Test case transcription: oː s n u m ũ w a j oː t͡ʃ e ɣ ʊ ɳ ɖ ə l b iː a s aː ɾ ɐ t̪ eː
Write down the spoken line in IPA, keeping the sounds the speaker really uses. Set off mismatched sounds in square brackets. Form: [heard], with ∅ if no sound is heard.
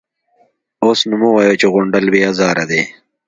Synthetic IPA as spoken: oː s n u m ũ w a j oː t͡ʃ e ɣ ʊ ɳ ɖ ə l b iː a [z] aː ɾ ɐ [d̪] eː